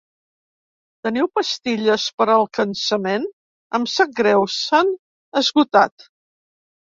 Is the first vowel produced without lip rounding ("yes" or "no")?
yes